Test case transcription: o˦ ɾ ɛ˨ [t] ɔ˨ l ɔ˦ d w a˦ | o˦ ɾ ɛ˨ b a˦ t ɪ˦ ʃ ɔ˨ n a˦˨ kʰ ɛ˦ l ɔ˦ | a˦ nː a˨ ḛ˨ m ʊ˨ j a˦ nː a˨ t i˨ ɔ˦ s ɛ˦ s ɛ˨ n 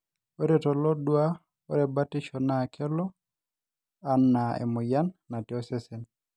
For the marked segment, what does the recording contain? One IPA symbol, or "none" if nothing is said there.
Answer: t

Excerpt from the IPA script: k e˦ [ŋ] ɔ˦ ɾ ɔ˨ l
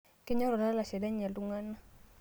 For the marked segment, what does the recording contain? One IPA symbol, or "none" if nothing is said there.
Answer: ɲ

